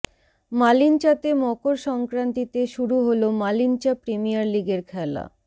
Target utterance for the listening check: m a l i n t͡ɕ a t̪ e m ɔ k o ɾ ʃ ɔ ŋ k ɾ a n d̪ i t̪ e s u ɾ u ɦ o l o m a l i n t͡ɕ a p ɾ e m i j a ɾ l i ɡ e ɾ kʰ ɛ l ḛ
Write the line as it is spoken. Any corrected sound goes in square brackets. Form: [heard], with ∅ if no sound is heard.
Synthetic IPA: m a l i n t͡ɕ a t̪ e m ɔ k o ɾ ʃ ɔ ŋ k ɾ a n [t̪] i t̪ e [ʃ] u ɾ u ɦ o l o m a l i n t͡ɕ a p ɾ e m i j a ɾ l i ɡ e ɾ kʰ ɛ l [a̰]